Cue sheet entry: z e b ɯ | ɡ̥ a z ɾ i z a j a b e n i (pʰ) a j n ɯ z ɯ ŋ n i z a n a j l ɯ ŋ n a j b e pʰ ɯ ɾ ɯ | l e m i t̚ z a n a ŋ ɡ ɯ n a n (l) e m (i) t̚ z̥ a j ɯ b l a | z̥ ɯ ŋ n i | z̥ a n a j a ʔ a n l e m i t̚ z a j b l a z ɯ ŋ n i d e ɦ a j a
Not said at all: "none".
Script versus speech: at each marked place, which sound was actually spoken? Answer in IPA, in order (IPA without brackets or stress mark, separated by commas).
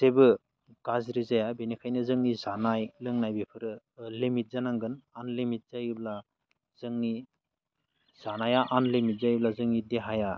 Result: kʰ, l, i